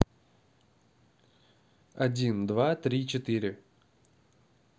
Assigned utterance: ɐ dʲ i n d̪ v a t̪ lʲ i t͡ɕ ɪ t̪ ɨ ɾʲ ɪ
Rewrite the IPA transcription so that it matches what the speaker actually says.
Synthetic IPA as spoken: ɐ dʲ i n d̪ v a t̪ ɾʲ i t͡ɕ ɪ t̪ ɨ ɾʲ ɪ

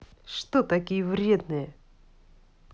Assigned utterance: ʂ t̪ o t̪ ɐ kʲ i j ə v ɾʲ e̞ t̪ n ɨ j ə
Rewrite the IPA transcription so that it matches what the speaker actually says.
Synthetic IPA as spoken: ʂ t̪ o t̪ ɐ kʲ i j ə v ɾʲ e̞ d̪ n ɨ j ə

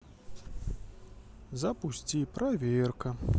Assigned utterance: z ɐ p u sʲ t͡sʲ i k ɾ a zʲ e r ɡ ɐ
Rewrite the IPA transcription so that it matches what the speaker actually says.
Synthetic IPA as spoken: z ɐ p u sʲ t͡sʲ i p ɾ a vʲ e r k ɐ

